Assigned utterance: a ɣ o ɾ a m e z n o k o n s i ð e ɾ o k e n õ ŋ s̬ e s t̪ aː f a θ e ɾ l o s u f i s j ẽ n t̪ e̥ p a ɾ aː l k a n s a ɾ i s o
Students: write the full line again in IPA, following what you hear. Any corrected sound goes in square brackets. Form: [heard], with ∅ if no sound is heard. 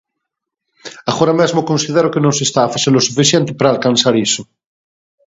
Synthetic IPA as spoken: a ɣ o ɾ a m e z [m] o k o n s i ð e ɾ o k e n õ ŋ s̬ e s t̪ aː f a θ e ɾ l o s u f i [θ] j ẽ n t̪ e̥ p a ɾ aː l k a n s a ɾ i s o